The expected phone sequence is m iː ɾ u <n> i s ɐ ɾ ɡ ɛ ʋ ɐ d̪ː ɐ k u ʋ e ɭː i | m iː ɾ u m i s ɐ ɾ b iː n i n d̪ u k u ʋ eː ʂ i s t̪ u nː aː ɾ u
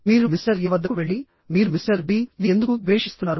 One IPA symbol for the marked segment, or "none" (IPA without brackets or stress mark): m